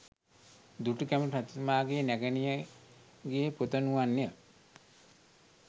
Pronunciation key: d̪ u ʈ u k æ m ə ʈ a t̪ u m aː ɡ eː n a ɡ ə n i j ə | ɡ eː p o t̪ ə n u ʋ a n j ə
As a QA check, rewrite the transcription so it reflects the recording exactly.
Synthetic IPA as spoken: d̪ u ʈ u k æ m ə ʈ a t̪ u m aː ɡ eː n æ ɡ ə n i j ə | ɡ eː p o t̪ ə n u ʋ a n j ə